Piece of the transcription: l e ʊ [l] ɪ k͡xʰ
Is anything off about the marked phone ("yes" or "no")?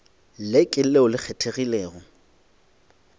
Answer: no